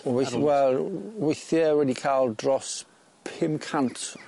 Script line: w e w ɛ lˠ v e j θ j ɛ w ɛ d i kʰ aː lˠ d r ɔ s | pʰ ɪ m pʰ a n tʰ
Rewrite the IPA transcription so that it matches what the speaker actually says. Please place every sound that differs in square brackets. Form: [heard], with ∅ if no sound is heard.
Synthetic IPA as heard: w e w ɛ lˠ [w] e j θ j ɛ w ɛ d i kʰ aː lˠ d r ɔ s | pʰ ɪ m [kʰ] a n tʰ